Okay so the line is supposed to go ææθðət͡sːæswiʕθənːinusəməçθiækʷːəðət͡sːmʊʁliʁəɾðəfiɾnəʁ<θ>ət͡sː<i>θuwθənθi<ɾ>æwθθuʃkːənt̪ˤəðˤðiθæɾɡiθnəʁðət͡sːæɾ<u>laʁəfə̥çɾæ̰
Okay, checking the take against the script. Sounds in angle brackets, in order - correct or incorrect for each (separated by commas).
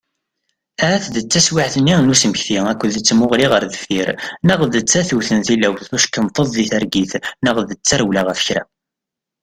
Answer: incorrect, incorrect, incorrect, incorrect